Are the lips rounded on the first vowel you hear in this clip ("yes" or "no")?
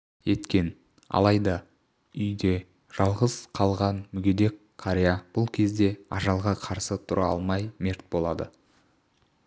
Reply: no